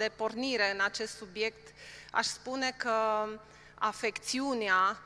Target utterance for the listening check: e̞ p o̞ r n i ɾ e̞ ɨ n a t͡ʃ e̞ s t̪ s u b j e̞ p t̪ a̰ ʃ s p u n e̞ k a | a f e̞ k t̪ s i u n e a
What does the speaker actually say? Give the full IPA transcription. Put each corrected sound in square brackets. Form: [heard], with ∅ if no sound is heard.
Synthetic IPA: e̞ p o̞ r n i ɾ e̞ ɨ n a t͡ʃ e̞ s t̪ s u b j e̞ [k] t̪ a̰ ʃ s p u n e̞ k [ə] | a f e̞ k t̪ s i u n e a